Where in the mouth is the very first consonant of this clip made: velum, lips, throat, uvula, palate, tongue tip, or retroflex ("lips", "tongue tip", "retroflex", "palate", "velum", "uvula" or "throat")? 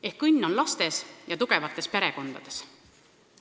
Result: throat